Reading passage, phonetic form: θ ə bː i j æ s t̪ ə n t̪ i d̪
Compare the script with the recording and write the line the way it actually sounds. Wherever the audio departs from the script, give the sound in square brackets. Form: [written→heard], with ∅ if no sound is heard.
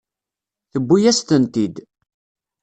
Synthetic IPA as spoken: θ ə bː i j æ s t̪ ə n t̪ i d̪